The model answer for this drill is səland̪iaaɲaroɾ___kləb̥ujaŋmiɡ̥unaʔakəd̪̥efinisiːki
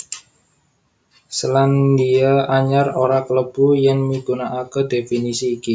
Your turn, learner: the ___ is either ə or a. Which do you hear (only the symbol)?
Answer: a